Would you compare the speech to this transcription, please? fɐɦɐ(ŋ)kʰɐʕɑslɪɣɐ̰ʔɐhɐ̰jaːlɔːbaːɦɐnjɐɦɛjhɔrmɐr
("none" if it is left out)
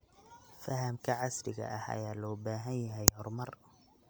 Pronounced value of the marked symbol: m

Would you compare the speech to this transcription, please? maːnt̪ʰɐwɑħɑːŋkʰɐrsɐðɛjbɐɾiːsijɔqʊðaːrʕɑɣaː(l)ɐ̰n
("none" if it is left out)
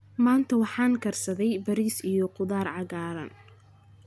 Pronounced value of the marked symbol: ɾ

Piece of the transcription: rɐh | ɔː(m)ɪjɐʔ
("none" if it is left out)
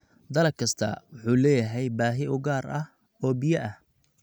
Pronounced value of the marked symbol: b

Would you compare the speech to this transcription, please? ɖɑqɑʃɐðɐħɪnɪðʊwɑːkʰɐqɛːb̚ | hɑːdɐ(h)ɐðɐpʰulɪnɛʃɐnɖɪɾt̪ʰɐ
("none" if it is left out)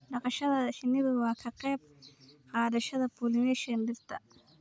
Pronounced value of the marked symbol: ʃ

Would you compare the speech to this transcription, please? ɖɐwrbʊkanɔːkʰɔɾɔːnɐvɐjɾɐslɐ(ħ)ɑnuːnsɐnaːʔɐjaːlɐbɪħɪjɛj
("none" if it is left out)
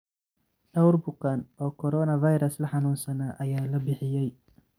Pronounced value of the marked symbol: ħ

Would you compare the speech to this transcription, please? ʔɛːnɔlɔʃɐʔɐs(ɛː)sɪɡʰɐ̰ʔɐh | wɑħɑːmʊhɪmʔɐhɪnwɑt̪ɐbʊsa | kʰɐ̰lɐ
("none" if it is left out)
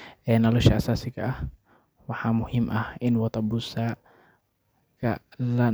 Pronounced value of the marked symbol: aː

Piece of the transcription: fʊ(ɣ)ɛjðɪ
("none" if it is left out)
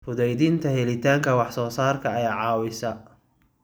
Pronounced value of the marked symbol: ð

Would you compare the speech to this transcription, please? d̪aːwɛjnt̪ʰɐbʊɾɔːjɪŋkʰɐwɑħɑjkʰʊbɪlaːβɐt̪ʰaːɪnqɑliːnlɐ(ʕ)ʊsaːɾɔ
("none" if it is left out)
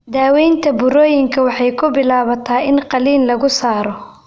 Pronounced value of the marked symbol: ɣ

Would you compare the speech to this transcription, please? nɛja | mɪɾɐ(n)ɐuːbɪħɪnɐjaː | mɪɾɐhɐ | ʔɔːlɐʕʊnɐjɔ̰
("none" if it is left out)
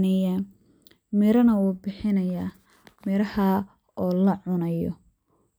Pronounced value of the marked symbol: n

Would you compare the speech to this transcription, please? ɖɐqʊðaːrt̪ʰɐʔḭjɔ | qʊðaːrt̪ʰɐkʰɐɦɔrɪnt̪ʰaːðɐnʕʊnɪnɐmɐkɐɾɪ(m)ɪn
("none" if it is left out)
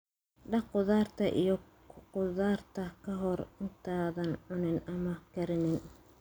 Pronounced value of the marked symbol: n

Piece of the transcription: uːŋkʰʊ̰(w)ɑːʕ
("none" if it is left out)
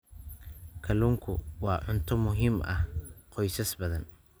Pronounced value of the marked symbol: w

